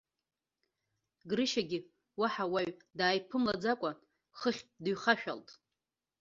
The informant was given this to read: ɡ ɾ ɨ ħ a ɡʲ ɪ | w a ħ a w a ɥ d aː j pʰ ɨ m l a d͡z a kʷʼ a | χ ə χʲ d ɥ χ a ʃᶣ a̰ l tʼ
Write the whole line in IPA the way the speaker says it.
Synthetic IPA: ɡ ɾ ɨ ʃ a ɡʲ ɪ | w a ħ a w a ɥ d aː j pʰ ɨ m l a d͡z a kʷʼ a | χ ə χʲ d ɥ χ a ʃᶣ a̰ l tʼ